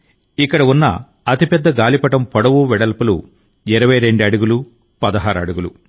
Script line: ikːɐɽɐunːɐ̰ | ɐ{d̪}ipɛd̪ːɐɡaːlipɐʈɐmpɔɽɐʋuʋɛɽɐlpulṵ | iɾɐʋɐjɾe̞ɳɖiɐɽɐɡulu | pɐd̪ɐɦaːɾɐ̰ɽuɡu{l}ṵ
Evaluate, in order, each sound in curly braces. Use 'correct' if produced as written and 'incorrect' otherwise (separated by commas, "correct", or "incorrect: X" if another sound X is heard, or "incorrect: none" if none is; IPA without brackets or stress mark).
incorrect: t̪, correct